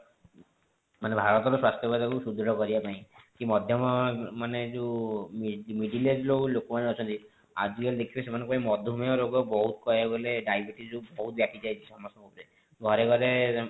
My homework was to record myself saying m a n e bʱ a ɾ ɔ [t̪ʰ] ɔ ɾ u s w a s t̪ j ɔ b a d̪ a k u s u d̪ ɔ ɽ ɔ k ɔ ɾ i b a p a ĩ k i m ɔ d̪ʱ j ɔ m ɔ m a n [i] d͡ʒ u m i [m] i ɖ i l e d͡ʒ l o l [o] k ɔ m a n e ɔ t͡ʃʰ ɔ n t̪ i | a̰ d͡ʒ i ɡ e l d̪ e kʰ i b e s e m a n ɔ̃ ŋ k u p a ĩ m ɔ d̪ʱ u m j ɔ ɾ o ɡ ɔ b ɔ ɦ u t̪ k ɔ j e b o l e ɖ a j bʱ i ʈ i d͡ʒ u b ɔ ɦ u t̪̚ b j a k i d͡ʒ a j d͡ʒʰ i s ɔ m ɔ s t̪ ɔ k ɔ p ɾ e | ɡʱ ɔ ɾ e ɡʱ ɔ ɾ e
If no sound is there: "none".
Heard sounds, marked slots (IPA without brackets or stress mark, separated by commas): t̪, e, m, o